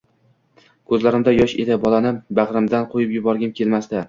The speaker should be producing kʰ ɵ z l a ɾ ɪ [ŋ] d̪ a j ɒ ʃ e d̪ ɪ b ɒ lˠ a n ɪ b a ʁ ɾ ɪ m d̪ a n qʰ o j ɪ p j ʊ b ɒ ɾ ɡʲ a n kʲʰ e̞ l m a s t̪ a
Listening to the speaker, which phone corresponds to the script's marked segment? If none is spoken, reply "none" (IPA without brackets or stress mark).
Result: m